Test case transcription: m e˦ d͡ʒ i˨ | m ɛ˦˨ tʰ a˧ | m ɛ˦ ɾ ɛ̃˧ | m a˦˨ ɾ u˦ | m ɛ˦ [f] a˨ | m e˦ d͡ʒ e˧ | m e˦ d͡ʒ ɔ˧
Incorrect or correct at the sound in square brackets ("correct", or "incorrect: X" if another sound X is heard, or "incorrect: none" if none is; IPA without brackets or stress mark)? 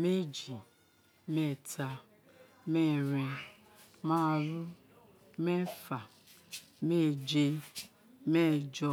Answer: correct